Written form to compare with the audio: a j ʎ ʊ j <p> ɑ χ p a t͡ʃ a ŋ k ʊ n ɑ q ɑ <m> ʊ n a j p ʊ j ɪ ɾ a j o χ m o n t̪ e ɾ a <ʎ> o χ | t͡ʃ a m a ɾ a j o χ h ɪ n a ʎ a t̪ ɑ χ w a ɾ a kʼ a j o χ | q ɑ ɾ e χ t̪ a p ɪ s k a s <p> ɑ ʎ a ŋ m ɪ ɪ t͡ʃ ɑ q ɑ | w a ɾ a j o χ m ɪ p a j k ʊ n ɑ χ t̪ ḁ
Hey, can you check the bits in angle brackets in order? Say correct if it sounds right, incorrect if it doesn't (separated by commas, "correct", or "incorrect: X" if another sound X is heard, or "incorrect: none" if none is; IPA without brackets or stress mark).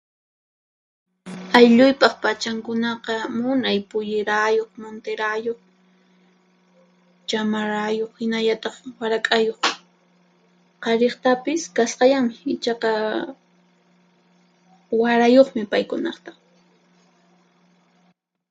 correct, correct, incorrect: j, incorrect: q